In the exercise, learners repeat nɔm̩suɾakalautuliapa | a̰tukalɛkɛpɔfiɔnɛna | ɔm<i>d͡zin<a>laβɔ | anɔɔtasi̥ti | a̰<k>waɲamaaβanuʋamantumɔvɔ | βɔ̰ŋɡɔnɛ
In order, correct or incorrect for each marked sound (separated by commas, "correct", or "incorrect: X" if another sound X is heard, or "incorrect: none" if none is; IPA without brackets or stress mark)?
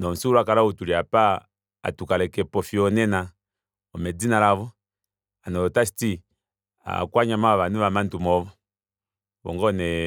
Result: incorrect: ɛ, correct, correct